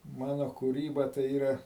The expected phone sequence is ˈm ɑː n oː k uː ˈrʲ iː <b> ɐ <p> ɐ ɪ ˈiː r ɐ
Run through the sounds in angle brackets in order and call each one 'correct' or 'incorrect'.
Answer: correct, incorrect

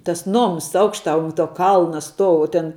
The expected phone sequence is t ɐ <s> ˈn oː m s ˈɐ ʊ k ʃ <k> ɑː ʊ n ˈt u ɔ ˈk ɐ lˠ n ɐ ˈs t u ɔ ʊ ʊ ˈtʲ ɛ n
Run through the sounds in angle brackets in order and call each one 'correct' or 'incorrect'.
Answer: correct, incorrect

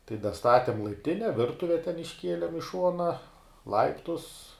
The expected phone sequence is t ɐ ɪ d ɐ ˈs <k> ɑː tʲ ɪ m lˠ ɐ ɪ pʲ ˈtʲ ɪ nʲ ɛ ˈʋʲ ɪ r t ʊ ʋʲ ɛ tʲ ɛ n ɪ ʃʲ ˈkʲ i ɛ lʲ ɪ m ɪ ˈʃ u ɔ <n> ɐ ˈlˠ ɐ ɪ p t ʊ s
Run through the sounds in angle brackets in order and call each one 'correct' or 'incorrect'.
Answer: incorrect, correct

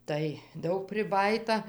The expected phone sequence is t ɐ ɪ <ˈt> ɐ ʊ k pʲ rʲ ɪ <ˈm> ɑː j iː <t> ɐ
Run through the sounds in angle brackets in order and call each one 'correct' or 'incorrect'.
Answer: incorrect, incorrect, correct

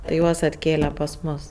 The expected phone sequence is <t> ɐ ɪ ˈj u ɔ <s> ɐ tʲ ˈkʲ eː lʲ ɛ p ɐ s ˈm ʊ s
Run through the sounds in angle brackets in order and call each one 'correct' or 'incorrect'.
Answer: correct, correct

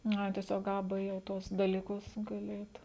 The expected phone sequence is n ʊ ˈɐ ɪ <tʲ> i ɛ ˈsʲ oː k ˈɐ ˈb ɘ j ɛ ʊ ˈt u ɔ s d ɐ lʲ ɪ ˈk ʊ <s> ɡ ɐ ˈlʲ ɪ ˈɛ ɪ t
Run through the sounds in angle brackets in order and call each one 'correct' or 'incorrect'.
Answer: correct, correct

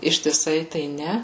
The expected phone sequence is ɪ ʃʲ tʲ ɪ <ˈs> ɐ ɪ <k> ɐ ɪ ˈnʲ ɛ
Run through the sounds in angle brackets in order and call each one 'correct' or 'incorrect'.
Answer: correct, incorrect

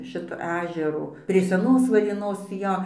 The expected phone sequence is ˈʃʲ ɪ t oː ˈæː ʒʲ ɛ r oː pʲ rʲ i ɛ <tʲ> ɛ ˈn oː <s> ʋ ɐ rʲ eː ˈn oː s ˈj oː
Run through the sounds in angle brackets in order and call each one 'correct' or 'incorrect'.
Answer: incorrect, correct

